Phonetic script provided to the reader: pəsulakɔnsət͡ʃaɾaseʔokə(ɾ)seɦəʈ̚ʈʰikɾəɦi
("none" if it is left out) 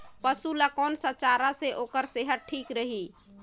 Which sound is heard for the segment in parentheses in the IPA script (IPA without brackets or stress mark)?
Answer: ɾ